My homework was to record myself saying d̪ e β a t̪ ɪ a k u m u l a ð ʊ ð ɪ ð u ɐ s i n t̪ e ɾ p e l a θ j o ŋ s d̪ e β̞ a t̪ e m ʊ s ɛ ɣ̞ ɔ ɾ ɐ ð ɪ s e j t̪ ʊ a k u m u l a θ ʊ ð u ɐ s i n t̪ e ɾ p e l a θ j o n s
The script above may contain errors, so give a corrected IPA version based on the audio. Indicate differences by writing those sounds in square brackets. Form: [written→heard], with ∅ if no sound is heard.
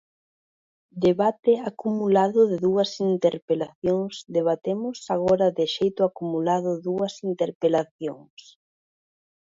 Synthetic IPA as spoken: d̪ e β a t̪ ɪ a k u m u l a ð ʊ ð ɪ ð u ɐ s i n t̪ e ɾ p e l a θ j o ŋ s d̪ e β̞ a t̪ e m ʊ s [ɛ→a] ɣ̞ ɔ ɾ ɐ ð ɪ [s→ʃ] e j t̪ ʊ a k u m u l a [θ→ð] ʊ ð u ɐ s i n t̪ e ɾ p e l a θ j o [n→ŋ] s